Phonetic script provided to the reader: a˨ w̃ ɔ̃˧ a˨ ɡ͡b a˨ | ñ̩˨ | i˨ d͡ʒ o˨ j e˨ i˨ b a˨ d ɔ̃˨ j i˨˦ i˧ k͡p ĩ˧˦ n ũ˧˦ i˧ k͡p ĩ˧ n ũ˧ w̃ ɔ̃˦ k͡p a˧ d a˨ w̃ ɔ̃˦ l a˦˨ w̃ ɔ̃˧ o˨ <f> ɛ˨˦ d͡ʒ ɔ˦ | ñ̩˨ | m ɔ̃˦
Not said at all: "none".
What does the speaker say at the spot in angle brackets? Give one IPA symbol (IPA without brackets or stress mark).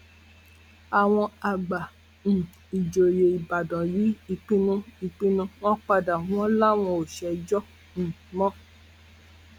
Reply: ʃ